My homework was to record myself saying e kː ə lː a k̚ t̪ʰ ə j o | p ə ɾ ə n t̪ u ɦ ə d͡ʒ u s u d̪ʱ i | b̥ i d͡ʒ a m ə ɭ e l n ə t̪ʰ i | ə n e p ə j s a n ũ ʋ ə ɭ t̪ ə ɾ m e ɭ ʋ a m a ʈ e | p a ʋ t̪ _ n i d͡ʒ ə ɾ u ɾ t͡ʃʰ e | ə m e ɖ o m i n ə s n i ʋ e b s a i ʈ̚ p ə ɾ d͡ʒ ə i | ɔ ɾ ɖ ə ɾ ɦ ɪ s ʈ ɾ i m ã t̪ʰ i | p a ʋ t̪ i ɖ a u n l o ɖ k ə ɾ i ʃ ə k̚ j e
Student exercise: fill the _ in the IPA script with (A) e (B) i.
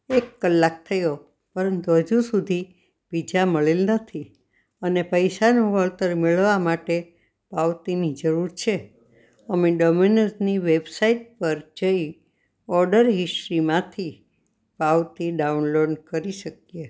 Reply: B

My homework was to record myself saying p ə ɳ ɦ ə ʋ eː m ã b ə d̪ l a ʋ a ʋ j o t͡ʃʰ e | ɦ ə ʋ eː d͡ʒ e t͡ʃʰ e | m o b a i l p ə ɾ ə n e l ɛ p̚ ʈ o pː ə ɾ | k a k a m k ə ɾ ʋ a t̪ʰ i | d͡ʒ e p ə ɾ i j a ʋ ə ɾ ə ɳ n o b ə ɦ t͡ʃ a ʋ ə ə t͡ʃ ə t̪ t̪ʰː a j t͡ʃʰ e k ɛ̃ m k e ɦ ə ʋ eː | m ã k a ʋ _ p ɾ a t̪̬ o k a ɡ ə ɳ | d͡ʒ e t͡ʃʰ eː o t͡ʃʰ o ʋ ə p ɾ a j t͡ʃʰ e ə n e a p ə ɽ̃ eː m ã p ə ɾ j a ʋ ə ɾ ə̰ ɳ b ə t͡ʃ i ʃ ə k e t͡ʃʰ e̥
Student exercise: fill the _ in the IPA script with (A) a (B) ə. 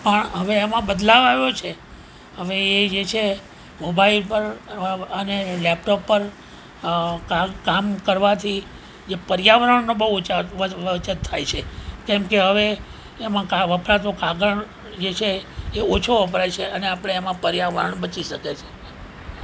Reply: B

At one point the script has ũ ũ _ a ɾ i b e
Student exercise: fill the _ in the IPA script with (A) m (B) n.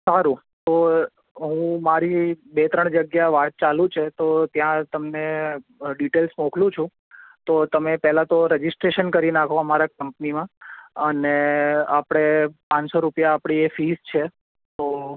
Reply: A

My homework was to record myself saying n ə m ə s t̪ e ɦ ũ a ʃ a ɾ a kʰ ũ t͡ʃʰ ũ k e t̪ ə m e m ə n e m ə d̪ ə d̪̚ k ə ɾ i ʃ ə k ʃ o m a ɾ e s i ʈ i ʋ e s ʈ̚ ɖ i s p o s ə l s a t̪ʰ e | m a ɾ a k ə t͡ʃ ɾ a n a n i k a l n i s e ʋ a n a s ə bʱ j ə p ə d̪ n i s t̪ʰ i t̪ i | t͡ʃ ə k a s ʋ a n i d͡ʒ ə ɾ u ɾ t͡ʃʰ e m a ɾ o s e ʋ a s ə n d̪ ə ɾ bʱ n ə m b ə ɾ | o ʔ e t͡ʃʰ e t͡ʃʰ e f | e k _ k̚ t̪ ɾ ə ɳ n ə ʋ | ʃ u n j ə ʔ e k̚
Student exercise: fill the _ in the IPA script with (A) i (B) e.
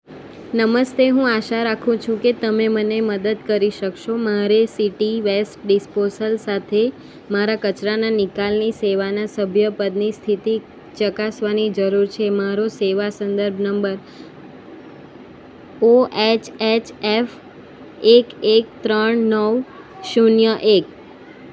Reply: B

